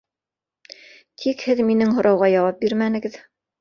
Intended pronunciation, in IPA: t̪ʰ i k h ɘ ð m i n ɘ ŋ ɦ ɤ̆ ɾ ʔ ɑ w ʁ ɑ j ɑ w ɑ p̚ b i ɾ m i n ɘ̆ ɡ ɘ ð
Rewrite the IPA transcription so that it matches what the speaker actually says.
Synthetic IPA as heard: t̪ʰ i k h ɘ ð m i n ɘ ŋ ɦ ŏ ɾ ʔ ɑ w ʁ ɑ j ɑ w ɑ p̚ b i ɾ m æ n ɘ̆ ɡ ɘ ð

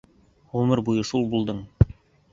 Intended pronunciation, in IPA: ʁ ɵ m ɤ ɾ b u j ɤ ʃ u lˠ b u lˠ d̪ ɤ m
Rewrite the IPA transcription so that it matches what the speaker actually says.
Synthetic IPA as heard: ʁ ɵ m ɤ ɾ b u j ɤ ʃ u lˠ b u lˠ d̪ ɤ ɴ

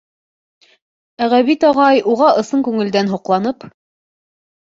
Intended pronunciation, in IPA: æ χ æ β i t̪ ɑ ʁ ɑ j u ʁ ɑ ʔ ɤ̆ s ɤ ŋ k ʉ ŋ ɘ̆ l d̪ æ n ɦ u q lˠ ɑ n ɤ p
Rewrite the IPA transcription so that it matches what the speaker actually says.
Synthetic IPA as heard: æ ʁ æ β i t̪ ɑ ʁ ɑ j u ʁ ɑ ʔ ɤ̆ s ɤ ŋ k ʉ ŋ ɘ̆ l d̪ æ n ɦ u q lˠ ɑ n ɤ p

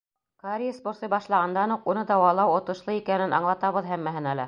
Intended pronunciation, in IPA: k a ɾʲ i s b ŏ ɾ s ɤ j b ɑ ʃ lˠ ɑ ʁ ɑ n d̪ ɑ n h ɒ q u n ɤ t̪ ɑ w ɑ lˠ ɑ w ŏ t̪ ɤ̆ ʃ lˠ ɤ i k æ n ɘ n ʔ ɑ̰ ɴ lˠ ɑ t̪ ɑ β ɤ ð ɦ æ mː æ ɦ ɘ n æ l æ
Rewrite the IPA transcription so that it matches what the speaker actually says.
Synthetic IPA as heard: k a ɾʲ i s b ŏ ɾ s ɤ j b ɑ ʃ lˠ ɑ ʁ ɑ n d̪ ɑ n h u q u n ɤ d̪ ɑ w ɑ lˠ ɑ w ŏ t̪ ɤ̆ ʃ lˠ ɤ i k æ n ɘ n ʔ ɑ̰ ɴ lˠ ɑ t̪ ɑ β ɤ ð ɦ æ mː æ ɦ ɘ n æ l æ

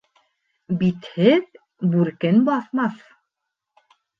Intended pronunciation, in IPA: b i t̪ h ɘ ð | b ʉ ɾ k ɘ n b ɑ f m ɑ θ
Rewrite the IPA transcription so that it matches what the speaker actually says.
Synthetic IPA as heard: b i t̪ h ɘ ð | b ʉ ɾ k ɘ n b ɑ θ m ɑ θ

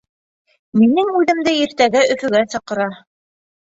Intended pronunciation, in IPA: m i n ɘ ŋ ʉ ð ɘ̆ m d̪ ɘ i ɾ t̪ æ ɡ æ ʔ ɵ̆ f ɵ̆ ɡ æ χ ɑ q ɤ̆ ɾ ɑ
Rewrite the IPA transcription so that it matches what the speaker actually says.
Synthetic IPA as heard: m i n ɘ ŋ ʉ ð ɘ̆ m d̪ ɘ i ɾ t̪ æ ɡ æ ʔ ɵ̆ f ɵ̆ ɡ æ s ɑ q ɤ̆ ɾ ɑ

